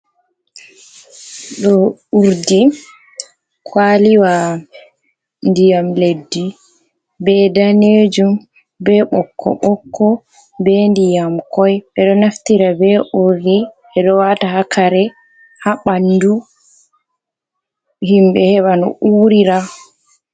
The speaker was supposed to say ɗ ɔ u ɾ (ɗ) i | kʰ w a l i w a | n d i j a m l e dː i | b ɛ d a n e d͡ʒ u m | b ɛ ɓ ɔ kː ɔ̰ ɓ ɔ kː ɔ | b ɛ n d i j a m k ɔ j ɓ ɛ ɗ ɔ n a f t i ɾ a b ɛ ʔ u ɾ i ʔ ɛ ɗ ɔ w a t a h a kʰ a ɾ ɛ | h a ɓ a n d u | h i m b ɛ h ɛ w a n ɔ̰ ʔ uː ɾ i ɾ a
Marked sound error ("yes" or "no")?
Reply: yes